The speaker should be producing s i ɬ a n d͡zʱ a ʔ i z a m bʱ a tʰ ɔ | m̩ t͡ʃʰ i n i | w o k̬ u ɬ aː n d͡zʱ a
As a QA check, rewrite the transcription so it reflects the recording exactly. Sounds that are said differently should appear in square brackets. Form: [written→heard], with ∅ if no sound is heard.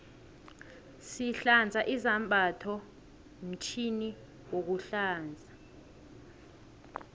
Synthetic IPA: s i ɬ a n d͡zʱ a ʔ i z a m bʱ a tʰ ɔ | m̩ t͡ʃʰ i n i | w o k̬ u ɬ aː n d͡zʱ a